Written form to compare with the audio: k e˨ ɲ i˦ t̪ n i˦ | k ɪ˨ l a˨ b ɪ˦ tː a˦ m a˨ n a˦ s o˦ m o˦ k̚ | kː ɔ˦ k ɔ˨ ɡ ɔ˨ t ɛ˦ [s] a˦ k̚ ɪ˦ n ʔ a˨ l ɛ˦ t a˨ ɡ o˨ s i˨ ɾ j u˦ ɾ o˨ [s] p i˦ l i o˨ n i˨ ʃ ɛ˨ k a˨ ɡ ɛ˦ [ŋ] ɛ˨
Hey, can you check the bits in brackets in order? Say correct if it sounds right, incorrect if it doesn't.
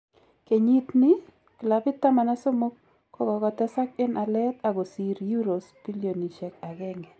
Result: correct, correct, correct

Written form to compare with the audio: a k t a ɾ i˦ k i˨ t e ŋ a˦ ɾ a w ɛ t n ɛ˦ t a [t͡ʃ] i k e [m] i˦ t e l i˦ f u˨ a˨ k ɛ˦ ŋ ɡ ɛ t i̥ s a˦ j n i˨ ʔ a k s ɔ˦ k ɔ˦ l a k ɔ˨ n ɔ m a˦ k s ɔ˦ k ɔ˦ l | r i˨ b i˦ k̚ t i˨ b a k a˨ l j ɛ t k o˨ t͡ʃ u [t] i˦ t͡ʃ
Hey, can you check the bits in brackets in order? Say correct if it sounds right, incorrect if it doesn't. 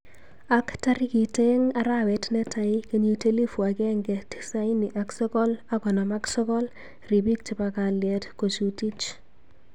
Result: incorrect: none, incorrect: ɲ, correct

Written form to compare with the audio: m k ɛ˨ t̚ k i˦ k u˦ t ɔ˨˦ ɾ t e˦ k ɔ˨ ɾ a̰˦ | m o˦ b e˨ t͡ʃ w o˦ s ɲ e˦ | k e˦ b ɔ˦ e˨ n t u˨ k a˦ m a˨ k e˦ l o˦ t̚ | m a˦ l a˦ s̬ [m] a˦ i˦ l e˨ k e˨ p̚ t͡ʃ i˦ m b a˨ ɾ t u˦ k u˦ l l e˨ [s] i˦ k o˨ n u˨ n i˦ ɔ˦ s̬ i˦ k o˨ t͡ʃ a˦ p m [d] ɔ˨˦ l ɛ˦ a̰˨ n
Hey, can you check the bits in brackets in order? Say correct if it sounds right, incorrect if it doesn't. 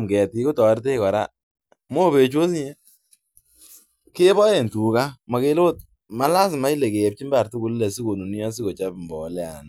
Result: correct, correct, incorrect: b

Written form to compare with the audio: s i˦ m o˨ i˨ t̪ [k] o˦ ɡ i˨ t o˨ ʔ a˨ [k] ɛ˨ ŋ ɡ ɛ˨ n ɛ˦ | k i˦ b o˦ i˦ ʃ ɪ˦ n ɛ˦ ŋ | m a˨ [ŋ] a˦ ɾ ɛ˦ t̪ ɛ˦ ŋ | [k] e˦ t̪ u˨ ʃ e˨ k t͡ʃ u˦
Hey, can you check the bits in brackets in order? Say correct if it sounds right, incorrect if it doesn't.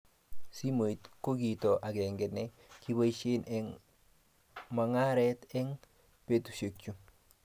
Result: correct, incorrect: ɡ, correct, incorrect: p

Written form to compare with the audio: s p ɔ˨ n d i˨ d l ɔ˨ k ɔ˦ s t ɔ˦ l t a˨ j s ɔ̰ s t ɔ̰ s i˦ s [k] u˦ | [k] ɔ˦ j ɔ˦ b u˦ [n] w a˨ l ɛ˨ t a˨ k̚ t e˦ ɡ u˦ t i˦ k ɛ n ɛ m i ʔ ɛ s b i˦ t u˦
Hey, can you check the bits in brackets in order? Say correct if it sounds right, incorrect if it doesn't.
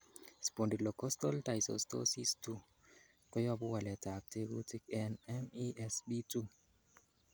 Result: incorrect: t, correct, incorrect: none

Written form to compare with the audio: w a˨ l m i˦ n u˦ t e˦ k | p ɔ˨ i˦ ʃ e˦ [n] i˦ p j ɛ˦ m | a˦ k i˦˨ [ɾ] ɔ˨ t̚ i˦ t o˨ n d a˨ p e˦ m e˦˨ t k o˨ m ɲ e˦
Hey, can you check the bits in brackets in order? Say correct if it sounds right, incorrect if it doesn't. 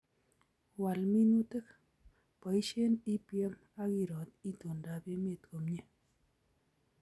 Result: correct, correct

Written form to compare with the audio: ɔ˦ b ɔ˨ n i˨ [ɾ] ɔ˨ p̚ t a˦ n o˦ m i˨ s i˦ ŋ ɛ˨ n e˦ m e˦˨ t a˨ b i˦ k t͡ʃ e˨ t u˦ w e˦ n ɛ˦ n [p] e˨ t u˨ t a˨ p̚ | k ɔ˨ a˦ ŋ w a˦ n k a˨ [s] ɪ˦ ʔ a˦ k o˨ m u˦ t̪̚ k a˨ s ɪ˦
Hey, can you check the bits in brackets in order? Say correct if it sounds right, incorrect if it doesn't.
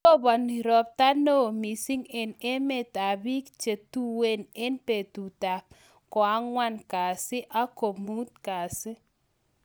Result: correct, correct, correct

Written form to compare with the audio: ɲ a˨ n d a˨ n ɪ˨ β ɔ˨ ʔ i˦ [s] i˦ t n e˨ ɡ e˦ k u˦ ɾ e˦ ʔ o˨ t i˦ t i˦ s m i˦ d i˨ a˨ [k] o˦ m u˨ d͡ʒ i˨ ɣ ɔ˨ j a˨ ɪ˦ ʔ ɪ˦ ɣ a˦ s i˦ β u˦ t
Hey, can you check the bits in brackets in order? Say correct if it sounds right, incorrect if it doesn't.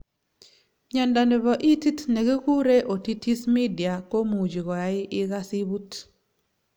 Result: incorrect: t, correct

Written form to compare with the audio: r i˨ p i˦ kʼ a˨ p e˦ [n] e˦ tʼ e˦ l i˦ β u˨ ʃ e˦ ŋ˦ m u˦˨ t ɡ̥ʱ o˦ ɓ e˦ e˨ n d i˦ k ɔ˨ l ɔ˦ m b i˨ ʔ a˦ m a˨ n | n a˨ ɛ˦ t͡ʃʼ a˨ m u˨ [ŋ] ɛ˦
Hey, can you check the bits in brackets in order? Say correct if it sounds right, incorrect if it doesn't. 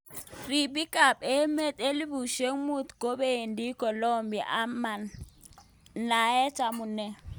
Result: incorrect: m, incorrect: n

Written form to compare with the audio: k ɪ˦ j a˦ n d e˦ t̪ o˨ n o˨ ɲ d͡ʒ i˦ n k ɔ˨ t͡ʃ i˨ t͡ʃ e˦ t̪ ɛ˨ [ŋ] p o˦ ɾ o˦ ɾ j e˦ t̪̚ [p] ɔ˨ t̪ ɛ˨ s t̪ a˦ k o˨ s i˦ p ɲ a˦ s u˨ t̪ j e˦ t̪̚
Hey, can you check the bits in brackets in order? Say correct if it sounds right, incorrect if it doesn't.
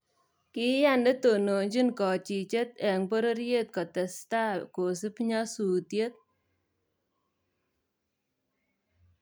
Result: correct, incorrect: k

